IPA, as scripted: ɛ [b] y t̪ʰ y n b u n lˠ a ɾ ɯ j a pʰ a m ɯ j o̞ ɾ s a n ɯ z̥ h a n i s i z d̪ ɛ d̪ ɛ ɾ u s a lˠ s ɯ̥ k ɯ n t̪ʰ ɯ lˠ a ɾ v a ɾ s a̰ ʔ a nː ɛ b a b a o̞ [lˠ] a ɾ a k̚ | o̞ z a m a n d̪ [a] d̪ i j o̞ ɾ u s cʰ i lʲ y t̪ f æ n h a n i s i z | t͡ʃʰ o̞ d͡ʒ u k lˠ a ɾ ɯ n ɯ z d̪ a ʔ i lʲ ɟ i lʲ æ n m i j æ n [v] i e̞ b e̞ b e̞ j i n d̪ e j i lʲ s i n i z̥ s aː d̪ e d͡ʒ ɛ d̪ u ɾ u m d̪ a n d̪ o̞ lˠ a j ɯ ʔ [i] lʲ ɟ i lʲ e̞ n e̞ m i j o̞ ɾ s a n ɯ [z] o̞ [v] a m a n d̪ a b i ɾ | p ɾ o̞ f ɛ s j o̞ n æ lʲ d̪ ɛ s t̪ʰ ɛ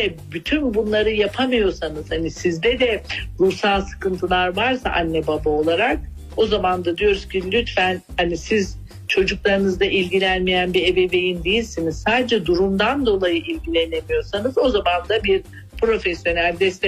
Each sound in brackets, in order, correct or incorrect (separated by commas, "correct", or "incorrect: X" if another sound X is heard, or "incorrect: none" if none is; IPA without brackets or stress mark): correct, correct, correct, incorrect: b, correct, correct, incorrect: z